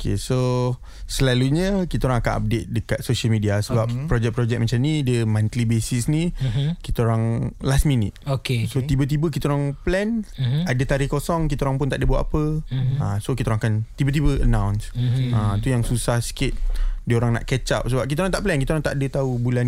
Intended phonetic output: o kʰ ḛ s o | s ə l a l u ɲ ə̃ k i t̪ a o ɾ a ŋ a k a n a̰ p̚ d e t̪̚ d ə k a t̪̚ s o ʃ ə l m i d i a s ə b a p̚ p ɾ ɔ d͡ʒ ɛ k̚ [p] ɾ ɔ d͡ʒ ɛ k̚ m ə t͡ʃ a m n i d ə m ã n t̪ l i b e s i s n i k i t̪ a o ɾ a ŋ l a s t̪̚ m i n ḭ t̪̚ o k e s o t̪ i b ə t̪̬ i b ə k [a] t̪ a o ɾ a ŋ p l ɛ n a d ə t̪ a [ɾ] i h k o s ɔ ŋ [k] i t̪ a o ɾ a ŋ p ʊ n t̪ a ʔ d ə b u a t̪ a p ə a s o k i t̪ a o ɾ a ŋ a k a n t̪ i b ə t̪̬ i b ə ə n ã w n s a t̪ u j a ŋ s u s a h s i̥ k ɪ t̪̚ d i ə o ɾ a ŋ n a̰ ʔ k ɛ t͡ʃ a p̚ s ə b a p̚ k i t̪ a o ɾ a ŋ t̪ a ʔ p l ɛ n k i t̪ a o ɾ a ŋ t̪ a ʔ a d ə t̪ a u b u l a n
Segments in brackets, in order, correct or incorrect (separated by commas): correct, incorrect, correct, correct